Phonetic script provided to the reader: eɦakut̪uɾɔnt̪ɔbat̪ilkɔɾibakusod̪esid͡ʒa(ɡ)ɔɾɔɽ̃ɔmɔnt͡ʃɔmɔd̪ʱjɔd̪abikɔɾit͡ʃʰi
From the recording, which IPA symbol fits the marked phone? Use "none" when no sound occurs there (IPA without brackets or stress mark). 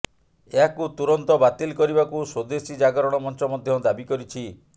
ɡ